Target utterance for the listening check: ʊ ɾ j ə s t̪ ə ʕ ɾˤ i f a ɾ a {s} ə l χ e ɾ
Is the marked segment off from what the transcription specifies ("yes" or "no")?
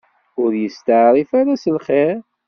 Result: no